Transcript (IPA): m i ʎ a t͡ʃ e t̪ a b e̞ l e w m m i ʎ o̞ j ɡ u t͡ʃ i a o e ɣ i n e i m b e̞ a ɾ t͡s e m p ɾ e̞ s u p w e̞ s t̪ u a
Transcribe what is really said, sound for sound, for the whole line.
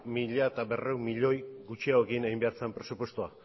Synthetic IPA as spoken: m i ʎ a e t̪ a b e̞ r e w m m i ʎ o̞ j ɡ u t͡ʃ i a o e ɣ i n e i m b e̞ a ɾ t͡s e m p ɾ e̞ s u p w e̞ s t̪ u a